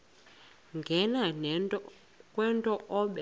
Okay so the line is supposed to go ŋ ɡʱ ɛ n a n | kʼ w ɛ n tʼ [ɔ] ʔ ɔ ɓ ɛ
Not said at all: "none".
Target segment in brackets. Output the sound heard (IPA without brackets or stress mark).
ɔ